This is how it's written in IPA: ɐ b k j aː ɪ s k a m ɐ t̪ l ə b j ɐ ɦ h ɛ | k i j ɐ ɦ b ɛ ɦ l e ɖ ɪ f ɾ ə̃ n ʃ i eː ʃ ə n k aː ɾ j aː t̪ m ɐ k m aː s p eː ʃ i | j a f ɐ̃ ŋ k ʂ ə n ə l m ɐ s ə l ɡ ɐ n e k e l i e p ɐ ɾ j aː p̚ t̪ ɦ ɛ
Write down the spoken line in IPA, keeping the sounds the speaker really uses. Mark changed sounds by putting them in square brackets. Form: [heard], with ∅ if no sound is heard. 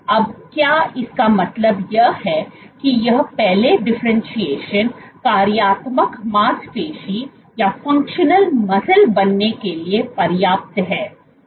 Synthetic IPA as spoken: ɐ b k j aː ɪ s k a m ɐ t̪ l ə b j ɐ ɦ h ɛ | k i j ɐ ɦ [p] ɛ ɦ l e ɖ ɪ f ɾ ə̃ n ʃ i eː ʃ ə n k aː ɾ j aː t̪ m [ə] k m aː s p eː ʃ i | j a f ɐ̃ ŋ k [ʃ] ə n ə l m ɐ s ə l [b] ɐ [nː] e k e l i e p ɐ ɾ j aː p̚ t̪ ɦ [ɛː]